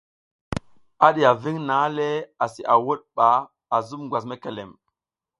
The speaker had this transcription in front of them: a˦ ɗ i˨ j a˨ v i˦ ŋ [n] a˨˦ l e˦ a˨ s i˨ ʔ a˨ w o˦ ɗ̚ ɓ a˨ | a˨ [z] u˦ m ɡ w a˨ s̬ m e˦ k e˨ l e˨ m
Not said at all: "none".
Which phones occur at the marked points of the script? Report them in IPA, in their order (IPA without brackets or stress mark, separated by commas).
n, z